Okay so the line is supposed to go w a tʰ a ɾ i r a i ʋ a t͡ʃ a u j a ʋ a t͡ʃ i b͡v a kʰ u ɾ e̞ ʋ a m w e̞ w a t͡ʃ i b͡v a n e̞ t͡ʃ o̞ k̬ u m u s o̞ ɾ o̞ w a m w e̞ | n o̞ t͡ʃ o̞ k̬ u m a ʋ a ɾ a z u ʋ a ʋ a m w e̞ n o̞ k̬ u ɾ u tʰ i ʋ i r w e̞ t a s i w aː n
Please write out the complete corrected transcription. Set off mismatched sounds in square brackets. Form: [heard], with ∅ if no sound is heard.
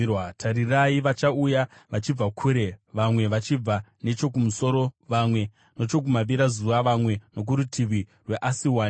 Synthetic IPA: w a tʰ a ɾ i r a i ʋ a t͡ʃ a u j a ʋ a t͡ʃ i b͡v a kʰ u ɾ e̞ ʋ a m w e̞ [ʋ] a t͡ʃ i b͡v a n e̞ t͡ʃ o̞ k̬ u m u s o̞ ɾ o̞ [ʋ] a m w e̞ | n o̞ t͡ʃ o̞ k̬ u m a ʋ [i] ɾ a z u ʋ a ʋ a m w e̞ n o̞ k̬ u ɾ u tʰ i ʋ i r w e̞ [ʔ] a s i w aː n